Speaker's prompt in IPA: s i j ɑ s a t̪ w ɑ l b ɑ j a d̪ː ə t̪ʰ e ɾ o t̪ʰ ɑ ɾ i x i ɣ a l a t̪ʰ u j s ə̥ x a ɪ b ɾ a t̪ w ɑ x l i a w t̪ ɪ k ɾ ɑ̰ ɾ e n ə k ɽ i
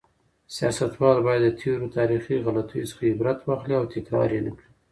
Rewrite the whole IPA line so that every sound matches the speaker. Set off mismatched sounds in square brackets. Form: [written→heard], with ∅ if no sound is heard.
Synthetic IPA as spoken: s i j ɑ s a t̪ w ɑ l b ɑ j a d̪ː ə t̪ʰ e ɾ o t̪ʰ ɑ ɾ i x i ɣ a l a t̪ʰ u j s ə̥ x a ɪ b ɾ a t̪ w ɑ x l i a w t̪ ɪ k ɾ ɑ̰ ɾ e n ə k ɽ i